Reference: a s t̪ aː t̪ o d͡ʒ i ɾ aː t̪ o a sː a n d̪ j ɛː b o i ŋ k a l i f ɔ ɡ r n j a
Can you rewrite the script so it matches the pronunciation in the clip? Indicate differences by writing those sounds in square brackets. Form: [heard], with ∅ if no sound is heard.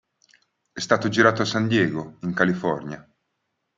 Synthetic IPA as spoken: [ɛ] s t̪ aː t̪ o d͡ʒ i ɾ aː t̪ o a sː a n d̪ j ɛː [ɡ] o i ŋ k a l i f ɔ [∅] r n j a